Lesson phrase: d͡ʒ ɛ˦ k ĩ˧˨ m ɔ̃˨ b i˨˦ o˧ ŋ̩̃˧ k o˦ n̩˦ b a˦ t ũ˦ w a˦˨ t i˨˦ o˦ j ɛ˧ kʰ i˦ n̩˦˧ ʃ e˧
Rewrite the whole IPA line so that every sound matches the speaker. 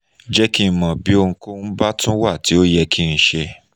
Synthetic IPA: d͡ʒ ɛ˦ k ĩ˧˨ m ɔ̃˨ b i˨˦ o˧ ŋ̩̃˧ k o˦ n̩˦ b a˦ t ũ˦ w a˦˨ t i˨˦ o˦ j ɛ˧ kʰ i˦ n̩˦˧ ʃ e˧

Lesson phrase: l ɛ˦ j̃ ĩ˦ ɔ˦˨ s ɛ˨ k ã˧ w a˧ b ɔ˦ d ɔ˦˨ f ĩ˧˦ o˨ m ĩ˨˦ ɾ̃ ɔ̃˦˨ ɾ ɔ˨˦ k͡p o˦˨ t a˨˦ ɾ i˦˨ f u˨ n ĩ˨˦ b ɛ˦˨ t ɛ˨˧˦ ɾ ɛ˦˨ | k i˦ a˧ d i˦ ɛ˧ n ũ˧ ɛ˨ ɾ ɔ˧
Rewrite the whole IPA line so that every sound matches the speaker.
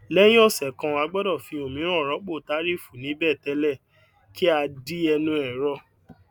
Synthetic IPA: l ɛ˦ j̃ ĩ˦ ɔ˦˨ s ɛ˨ k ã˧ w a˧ ɡ͡b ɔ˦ d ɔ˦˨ f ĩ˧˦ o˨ m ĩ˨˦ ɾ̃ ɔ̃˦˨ ɾ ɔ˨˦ k͡p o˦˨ t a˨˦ ɾ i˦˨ f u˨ n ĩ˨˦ b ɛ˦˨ t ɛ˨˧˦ l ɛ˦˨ | k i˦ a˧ d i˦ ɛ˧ n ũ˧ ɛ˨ ɾ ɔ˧

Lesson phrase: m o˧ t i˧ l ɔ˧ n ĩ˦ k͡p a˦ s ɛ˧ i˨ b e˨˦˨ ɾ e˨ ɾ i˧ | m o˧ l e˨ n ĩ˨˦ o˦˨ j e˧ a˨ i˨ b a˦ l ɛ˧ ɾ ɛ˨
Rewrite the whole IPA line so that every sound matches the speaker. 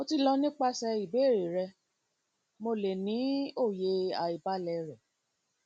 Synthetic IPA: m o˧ t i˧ l ɔ˧ n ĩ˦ k͡p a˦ s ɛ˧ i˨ b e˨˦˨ ɾ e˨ ɾ ɛ˧ | m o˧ l e˨ n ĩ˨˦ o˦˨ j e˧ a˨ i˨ b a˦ l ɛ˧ ɾ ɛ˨

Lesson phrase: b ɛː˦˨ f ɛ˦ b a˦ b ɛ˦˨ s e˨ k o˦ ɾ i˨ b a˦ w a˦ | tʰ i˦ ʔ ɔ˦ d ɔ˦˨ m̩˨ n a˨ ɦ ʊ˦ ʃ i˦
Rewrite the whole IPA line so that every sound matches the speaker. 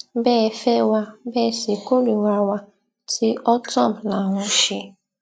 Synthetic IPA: b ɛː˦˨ f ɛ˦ w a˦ b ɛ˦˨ s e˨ k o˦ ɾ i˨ w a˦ w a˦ | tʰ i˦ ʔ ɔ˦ t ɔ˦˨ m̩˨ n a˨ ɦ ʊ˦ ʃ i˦

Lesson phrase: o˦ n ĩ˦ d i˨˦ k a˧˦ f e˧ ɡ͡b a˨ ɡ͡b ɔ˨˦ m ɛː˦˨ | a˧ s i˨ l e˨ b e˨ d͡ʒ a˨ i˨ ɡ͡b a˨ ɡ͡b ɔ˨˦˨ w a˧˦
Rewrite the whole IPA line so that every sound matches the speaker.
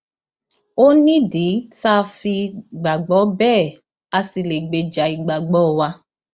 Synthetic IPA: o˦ n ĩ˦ d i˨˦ t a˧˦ f i˧ ɡ͡b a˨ ɡ͡b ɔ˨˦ b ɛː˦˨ | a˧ s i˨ l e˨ ɡ͡b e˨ d͡ʒ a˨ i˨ ɡ͡b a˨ ɡ͡b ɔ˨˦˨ w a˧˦

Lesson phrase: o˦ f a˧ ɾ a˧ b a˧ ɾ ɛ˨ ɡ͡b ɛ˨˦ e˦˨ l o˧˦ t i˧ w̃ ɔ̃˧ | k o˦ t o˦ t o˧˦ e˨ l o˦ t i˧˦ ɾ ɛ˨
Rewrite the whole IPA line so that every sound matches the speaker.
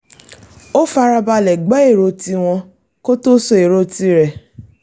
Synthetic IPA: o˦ f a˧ ɾ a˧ b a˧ l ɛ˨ ɡ͡b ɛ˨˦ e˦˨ ɾ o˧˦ t i˧ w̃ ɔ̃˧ | k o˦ t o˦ s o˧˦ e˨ ɾ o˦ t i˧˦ ɾ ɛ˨

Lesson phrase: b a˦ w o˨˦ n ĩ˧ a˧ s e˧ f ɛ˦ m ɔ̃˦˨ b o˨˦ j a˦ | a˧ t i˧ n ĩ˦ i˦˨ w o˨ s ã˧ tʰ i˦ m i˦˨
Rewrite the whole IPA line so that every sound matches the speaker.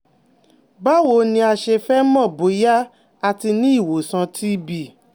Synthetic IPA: b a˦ w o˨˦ n ĩ˧ a˧ ʃ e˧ f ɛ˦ m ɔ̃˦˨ b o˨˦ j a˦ | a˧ t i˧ n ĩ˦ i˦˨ w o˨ s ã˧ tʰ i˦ b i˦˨

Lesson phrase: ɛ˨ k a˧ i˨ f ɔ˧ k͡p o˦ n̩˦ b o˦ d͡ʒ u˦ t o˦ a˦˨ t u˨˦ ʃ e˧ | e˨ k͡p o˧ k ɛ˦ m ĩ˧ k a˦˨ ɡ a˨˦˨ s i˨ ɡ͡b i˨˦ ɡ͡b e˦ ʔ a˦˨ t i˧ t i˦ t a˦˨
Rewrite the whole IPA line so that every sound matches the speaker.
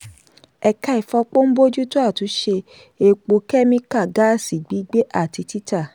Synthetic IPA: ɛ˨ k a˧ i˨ f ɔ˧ k͡p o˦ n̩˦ b o˦ d͡ʒ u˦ t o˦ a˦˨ t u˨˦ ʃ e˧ | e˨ k͡p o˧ k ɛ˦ m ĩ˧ k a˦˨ ɡ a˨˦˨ s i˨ ɡ͡b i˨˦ ɡ͡b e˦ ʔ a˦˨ t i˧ t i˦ t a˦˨

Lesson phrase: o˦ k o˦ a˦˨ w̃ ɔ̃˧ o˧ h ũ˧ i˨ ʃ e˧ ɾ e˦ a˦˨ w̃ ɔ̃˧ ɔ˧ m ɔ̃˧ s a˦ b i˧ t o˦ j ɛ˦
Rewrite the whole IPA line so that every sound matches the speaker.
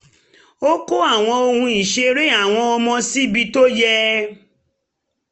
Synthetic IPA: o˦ k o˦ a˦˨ w̃ ɔ̃˧ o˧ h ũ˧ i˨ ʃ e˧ ɾ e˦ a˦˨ w̃ ɔ̃˧ ɔ˧ m ɔ̃˧ s i˦ b i˧ t o˦ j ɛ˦

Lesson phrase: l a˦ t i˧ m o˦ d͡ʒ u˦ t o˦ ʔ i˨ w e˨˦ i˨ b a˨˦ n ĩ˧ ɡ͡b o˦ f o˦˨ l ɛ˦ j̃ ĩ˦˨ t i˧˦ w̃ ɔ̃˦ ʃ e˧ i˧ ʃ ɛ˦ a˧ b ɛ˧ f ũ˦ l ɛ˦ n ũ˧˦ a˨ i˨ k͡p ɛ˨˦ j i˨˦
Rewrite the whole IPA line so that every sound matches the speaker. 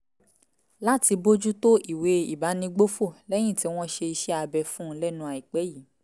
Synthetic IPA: l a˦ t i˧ b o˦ d͡ʒ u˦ t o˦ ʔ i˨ w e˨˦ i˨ b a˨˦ n ĩ˧ ɡ͡b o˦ f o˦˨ l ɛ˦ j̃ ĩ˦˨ t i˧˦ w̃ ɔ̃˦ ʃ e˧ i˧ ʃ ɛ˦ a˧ b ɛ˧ f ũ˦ l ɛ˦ n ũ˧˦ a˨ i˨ k͡p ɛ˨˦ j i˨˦

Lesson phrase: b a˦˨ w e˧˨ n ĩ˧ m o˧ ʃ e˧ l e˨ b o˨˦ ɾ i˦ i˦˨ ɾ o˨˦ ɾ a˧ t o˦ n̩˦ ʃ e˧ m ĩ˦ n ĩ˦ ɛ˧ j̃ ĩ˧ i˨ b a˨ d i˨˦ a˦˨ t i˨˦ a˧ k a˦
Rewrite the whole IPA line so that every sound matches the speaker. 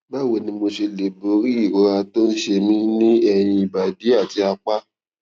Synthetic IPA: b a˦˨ w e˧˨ n ĩ˧ m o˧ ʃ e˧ l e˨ b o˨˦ ɾ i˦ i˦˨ ɾ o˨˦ ɾ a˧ t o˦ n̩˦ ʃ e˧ m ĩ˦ n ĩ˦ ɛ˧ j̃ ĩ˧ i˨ b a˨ d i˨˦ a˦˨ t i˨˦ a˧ k͡p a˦

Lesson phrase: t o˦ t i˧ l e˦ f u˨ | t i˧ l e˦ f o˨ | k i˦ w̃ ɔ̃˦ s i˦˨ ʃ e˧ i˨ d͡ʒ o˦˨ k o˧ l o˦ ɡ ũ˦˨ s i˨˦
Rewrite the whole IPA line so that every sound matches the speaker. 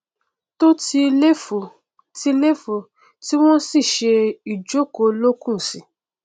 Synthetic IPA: t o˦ t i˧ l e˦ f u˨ | t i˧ l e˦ f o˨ | t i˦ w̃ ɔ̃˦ s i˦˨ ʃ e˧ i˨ d͡ʒ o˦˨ k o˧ l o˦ k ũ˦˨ s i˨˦

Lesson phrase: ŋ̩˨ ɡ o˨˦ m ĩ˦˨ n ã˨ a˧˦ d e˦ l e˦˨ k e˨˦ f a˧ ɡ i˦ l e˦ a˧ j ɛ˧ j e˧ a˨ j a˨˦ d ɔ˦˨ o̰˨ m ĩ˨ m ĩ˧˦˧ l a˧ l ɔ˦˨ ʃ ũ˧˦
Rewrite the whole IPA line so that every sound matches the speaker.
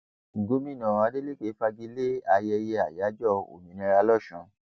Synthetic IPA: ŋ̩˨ ɡ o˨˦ m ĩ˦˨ n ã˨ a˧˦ d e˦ l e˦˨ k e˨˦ f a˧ ɡ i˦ l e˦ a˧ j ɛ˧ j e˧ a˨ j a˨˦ d͡ʒ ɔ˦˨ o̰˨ m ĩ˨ n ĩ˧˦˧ ɾ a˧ l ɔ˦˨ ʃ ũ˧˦

